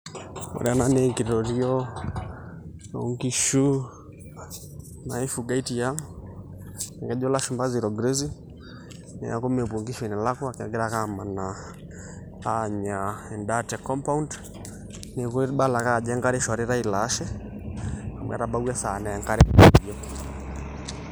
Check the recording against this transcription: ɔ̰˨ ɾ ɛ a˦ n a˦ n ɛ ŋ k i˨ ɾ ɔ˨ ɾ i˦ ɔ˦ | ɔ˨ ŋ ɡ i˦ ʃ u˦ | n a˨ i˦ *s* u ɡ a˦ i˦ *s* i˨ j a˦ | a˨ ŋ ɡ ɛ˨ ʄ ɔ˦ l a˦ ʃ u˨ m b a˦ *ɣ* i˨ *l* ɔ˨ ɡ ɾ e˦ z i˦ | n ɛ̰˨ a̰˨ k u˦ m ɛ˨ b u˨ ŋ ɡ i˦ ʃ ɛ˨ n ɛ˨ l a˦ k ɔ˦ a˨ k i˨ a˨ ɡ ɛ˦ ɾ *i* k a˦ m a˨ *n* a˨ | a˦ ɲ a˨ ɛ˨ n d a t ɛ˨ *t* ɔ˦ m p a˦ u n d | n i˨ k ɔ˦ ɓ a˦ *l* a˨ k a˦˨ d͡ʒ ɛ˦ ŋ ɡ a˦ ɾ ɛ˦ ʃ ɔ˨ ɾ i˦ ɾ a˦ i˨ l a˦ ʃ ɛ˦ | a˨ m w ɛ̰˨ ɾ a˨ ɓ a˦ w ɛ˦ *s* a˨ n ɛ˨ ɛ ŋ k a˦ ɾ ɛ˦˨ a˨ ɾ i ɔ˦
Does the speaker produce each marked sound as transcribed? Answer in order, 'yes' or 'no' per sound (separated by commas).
no, no, no, no, no, yes, no, yes, yes